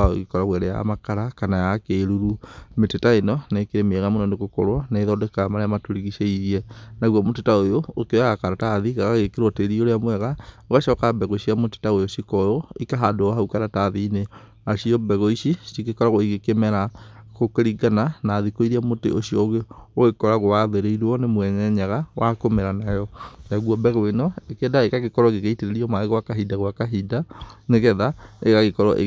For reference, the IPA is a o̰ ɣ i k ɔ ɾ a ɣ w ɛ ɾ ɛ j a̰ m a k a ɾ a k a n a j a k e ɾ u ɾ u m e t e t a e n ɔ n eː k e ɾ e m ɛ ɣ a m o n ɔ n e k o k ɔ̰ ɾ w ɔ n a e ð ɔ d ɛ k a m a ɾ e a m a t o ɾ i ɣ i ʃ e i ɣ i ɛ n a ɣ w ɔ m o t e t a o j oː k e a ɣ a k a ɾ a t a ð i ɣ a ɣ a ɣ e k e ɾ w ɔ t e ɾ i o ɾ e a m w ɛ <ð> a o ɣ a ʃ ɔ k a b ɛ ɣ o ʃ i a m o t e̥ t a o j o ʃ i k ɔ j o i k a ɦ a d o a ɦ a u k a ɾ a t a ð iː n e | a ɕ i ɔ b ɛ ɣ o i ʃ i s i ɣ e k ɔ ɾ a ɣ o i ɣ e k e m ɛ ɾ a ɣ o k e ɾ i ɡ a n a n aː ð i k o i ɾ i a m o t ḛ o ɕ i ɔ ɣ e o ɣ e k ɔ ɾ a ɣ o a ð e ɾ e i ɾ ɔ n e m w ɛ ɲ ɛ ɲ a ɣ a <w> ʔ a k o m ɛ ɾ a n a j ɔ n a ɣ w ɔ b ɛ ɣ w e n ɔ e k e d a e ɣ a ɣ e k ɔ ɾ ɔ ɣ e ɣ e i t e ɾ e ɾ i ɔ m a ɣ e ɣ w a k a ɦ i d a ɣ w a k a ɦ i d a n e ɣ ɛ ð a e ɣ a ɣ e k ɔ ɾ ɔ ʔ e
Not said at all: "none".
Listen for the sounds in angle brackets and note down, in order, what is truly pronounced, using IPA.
ɣ, w

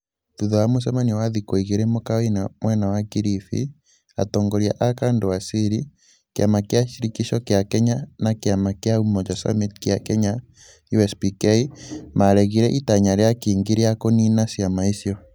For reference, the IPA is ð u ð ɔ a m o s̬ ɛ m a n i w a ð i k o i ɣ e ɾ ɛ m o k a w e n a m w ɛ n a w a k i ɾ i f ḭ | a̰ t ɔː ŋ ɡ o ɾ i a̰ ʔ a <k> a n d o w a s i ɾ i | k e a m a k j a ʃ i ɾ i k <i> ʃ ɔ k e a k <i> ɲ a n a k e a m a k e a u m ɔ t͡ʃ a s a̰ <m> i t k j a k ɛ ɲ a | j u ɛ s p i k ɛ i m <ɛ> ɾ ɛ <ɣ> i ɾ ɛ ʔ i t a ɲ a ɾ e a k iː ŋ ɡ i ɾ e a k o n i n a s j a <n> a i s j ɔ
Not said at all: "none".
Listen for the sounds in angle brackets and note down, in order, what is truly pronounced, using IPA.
k, i, ɛ, m, a, ɣ, m

